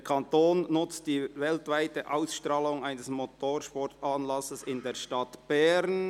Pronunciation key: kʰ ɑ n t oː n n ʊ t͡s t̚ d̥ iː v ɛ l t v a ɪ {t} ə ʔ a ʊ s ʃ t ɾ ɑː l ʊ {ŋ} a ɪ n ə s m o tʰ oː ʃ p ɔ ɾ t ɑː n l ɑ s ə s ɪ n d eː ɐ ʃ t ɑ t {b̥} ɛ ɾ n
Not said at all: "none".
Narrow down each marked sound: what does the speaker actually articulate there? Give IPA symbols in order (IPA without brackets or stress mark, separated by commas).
t, ŋ, b̥